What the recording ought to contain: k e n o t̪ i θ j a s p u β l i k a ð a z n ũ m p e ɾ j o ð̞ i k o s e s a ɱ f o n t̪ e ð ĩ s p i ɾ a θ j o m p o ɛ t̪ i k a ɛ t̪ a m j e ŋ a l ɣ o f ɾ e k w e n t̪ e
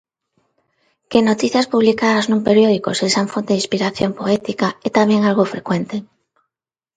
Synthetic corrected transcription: k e n o t̪ i θ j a s p u β l i k a ð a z n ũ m p e ɾ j o ð̞ i k o s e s a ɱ f o n t̪ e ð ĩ s p i ɾ a θ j o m p o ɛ t̪ i k a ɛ t̪ a m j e ŋ a l ɣ o f ɾ e k w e n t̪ e